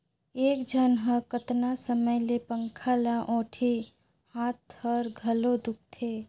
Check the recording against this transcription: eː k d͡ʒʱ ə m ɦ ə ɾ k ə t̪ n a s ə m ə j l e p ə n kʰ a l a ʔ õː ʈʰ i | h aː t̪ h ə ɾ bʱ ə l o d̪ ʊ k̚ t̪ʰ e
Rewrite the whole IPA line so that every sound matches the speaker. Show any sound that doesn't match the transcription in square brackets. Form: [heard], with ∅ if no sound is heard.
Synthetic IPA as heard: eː k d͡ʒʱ ə [n] ɦ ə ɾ k ə t̪ n a s ə m ə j l e p ə [ŋ] kʰ a l a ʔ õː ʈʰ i | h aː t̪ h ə ɾ [ɡʱ] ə l o d̪ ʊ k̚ t̪ʰ e